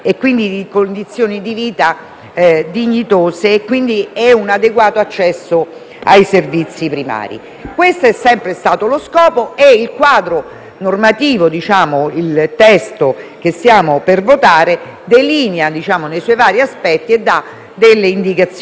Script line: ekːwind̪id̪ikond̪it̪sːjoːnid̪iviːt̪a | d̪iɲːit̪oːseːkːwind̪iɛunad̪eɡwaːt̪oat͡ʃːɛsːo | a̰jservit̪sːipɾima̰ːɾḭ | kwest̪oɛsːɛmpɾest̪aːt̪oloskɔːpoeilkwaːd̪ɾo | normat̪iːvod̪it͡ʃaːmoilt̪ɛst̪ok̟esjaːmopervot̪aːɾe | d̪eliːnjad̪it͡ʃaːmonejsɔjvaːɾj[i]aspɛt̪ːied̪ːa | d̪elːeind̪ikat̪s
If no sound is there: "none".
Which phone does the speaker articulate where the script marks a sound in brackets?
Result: i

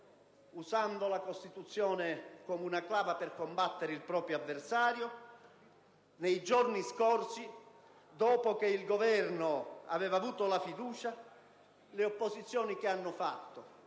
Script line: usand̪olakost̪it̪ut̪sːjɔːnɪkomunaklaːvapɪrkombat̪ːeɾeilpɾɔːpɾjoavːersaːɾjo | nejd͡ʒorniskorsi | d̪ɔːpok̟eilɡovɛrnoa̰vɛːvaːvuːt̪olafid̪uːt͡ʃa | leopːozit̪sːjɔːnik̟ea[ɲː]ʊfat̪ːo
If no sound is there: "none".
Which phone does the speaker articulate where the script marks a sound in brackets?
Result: nː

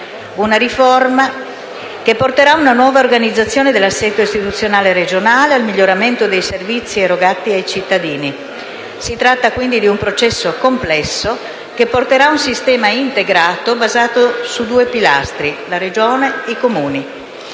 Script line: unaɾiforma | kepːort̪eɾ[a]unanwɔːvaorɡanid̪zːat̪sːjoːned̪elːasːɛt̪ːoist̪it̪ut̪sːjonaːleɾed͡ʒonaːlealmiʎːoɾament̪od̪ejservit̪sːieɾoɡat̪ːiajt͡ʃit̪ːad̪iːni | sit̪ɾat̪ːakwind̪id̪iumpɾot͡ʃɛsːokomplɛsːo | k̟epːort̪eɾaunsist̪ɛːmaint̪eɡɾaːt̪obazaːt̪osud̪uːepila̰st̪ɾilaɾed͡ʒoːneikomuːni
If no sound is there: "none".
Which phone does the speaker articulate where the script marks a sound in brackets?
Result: a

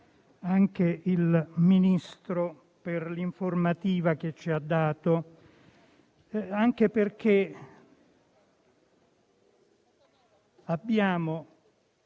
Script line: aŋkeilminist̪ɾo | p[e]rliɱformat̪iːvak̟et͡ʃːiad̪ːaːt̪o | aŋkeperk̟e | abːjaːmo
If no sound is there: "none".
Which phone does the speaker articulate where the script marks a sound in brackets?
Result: e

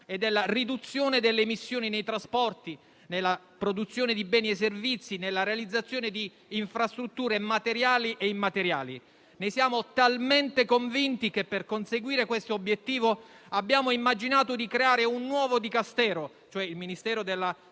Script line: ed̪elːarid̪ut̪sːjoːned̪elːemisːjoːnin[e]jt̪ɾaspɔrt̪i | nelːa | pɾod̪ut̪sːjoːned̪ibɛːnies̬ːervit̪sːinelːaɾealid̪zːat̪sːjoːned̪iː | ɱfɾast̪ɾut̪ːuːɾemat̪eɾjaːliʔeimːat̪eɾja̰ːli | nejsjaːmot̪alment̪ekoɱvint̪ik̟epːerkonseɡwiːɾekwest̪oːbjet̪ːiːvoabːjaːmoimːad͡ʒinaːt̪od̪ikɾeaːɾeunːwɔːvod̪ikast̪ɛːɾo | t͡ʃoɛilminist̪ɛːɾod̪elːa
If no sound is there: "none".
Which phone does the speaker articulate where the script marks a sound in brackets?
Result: e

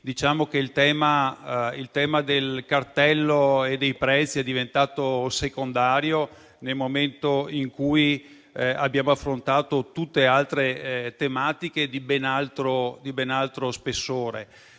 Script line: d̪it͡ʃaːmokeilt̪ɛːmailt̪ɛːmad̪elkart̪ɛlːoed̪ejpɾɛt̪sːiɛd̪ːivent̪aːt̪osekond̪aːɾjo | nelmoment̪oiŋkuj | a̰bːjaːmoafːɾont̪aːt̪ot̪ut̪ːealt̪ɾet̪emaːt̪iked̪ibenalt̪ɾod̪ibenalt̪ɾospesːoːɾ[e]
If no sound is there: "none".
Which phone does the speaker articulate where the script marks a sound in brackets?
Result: e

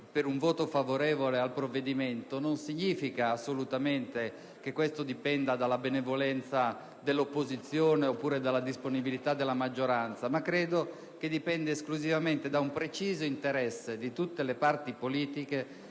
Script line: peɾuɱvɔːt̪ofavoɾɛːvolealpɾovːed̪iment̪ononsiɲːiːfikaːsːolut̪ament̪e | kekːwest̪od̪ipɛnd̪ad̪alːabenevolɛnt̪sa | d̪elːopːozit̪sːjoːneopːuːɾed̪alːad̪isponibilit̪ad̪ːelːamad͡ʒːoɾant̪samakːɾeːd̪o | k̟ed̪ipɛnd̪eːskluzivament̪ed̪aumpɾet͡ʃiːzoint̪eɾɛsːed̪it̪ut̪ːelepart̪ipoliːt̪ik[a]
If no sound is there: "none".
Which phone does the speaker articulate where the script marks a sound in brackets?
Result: e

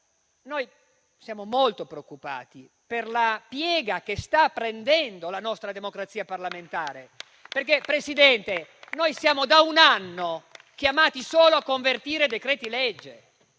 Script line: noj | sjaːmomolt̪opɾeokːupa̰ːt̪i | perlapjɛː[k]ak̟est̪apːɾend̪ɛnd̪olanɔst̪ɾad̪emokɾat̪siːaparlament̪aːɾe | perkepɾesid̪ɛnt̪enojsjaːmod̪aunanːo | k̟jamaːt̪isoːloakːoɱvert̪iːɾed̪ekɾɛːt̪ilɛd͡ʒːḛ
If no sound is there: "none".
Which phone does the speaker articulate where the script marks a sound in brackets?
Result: ɡ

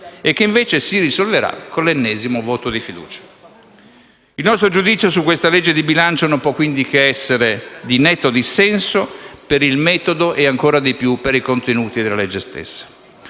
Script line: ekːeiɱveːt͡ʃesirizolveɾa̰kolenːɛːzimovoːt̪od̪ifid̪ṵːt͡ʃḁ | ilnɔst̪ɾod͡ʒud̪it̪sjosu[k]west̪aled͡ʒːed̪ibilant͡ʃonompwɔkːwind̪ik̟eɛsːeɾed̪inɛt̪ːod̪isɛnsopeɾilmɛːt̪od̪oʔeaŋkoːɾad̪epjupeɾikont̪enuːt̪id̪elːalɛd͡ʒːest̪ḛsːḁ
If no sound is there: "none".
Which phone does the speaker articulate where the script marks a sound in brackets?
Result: k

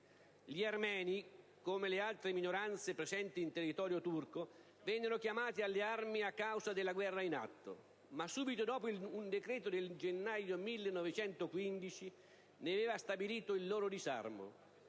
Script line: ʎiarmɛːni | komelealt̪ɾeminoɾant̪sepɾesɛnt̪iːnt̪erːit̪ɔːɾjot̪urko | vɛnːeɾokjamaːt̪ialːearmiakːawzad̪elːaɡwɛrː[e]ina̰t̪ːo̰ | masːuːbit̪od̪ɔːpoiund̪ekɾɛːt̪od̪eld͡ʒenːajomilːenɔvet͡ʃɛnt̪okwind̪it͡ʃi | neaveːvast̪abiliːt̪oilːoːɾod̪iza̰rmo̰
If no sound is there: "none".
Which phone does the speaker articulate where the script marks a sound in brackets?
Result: a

